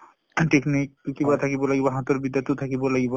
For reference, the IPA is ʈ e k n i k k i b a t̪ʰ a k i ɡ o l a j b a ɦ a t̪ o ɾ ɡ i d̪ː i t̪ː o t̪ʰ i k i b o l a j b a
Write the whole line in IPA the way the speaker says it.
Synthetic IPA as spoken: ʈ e k n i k k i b a t̪ʰ a k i b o l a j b a ɦ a t̪ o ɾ b i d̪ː a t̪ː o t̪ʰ a k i b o l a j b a